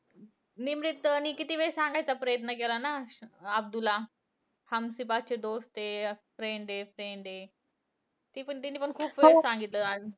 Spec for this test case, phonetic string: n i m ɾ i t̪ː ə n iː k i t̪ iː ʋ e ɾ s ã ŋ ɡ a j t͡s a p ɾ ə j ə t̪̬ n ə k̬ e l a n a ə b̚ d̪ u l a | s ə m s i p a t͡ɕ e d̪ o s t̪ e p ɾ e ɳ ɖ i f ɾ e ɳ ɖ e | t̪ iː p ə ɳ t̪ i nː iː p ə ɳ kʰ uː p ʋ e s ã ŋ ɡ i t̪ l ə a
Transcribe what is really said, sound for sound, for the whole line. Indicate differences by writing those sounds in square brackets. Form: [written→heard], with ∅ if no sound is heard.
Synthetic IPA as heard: n i m ɾ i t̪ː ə n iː k i t̪ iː ʋ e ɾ s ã ŋ ɡ a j t͡s a p ɾ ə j ə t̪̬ n ə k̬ e l a n a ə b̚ d̪ u l a | [s→h] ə m s i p a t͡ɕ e d̪ o s t̪ e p ɾ e ɳ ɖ [i→e] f ɾ e ɳ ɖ e | t̪ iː p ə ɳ t̪ i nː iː p ə ɳ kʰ uː p ʋ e s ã ŋ ɡ i t̪ l ə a

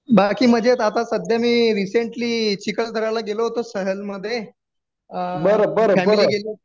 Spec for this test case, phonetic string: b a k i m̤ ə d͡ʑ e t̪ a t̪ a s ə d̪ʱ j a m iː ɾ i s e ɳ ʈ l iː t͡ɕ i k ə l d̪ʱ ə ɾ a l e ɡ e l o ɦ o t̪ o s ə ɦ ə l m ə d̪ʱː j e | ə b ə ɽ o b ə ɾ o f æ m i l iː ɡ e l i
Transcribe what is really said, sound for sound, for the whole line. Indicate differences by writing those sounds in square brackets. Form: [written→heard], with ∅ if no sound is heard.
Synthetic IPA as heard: b a k [i→iː] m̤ ə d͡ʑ e t̪ a t̪ a s ə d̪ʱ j a m iː ɾ i s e ɳ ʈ l iː t͡ɕ i k ə l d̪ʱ ə ɾ a l [e→a] ɡ e l o ɦ o t̪ o s ə ɦ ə l m ə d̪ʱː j e | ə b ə [ɽ→ɾ] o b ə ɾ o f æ m i l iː ɡ e l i

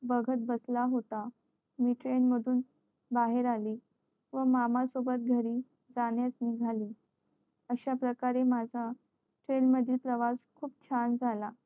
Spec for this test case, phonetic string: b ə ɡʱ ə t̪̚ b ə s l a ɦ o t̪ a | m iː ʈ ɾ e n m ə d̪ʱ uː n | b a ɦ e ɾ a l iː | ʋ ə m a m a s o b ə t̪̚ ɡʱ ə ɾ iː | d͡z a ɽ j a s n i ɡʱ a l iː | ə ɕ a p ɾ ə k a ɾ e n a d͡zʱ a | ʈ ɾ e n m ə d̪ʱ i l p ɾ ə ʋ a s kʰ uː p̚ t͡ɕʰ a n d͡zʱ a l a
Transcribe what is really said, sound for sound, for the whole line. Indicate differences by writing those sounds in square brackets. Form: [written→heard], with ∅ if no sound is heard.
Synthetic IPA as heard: b ə ɡʱ ə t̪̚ b ə s l a ɦ o t̪ a | m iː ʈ ɾ e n m ə d̪ʱ uː n | b a ɦ e ɾ a l iː | ʋ ə m a m a s o b ə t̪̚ ɡʱ ə ɾ iː | d͡z a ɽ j a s n i ɡʱ a l iː | ə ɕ a p ɾ ə k a ɾ e [n→m] a d͡zʱ a | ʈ ɾ e n m ə d̪ʱ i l p ɾ ə ʋ a s kʰ uː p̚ t͡ɕʰ a n d͡zʱ a l a

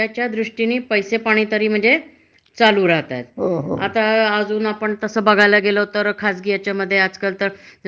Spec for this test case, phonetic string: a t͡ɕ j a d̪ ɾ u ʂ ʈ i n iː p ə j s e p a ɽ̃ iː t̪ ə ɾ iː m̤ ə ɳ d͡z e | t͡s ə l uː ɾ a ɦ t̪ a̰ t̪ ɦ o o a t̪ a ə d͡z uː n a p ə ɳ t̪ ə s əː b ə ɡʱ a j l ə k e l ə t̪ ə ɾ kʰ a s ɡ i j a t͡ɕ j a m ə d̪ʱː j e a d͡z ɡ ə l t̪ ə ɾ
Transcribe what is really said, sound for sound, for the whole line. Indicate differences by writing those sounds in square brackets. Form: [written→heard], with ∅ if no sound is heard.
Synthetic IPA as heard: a t͡ɕ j a d̪ ɾ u ʂ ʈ i n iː p ə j s e p a ɽ̃ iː t̪ ə ɾ iː m̤ ə ɳ d͡z e | t͡s [ə→a] l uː ɾ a ɦ t̪ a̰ t̪ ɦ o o a t̪ a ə d͡z uː n a p ə ɳ t̪ ə s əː b ə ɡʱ a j l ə [k→ɡ] e l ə t̪ ə ɾ kʰ a s ɡ i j a t͡ɕ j a m ə d̪ʱː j e a d͡z [ɡ→k] ə l t̪ ə ɾ

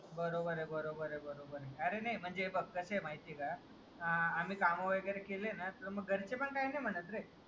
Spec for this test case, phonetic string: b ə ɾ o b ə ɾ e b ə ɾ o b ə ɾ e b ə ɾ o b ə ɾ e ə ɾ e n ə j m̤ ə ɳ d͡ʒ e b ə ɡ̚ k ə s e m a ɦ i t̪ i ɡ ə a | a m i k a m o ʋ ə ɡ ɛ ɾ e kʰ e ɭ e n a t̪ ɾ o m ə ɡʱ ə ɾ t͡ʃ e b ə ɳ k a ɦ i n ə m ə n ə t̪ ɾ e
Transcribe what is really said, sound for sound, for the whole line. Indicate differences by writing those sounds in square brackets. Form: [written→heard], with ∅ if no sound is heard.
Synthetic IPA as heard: b ə ɾ o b ə ɾ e b ə ɾ o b ə ɾ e b ə ɾ o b ə ɾ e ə ɾ e n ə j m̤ ə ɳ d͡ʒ e b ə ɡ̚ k ə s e m a ɦ i t̪ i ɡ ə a | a m i k a m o ʋ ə ɡ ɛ ɾ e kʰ e [ɭ→l] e n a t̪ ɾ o m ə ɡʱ ə ɾ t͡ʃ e [b→p] ə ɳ k a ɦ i n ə m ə n ə t̪ ɾ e

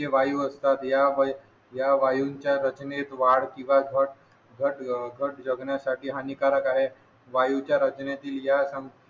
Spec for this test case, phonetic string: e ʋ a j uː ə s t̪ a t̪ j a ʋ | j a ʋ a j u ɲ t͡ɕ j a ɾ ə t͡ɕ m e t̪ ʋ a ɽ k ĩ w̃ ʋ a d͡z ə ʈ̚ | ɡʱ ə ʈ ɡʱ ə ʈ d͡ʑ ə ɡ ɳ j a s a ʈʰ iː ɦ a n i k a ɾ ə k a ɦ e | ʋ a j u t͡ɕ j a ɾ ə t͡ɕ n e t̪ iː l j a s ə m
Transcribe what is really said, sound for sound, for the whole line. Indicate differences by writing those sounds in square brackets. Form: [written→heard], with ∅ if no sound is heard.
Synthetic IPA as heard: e ʋ a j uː ə s t̪ a t̪ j a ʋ | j a ʋ a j u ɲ t͡ɕ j a ɾ ə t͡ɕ [m→n] e t̪ ʋ a ɽ k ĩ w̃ ʋ a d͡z ə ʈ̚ | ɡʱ ə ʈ ɡʱ ə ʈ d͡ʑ ə ɡ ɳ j a s a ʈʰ iː ɦ a n i k a ɾ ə k a ɦ e | ʋ a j u t͡ɕ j a ɾ ə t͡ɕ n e t̪ iː l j a s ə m

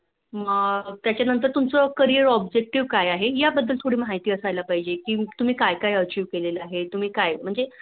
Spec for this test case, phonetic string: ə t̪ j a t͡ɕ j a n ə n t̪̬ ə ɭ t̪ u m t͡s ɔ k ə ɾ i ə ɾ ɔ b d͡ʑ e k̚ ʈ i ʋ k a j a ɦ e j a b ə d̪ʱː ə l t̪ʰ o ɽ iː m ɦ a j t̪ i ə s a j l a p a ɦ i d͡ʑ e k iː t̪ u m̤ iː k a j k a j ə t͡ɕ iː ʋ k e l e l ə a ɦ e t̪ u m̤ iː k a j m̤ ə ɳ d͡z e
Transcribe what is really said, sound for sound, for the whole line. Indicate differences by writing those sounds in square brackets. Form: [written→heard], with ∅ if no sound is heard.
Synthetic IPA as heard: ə t̪ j a t͡ɕ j a n ə n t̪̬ ə [ɭ→ɾ] t̪ u m t͡s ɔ k ə ɾ i ə ɾ ɔ b d͡ʑ e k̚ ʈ i ʋ k a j a ɦ e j a b ə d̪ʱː ə l t̪ʰ o ɽ iː m ɦ a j t̪ [i→iː] ə s a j l a p a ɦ i d͡ʑ e k iː t̪ u m̤ iː k a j k a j ə t͡ɕ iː ʋ k e l e l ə a ɦ e t̪ u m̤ iː k a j m̤ ə ɳ d͡z e

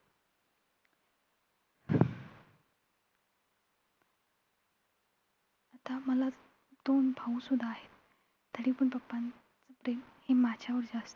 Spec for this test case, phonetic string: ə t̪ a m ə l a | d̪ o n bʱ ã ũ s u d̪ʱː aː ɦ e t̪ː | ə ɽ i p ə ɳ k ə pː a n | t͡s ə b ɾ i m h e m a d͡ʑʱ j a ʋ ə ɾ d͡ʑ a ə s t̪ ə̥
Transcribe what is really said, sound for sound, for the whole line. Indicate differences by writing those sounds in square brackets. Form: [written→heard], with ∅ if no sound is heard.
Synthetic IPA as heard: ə t̪ a m ə l a | d̪ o n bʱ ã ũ s u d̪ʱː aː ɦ e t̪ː | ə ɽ i p ə ɳ [k→p] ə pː a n | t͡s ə [b→p] ɾ [i→e] m h e m a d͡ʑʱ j a ʋ ə ɾ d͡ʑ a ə s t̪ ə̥

